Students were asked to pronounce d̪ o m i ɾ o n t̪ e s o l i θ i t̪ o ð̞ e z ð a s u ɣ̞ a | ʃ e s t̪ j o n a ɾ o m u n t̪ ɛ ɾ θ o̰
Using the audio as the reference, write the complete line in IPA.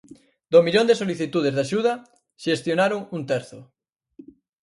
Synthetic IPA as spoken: d̪ o m i ʎ o n d̪ e s o l i θ i t̪ u ð̞ e z ð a ʃ u ð̞ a | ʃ e s t̪ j o n a ɾ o ŋ u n t̪ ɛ ɾ θ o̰